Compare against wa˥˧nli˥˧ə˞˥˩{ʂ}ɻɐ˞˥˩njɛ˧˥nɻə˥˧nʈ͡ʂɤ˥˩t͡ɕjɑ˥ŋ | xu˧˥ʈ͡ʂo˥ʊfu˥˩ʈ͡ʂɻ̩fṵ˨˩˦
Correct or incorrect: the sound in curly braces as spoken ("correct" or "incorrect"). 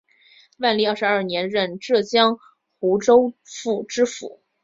correct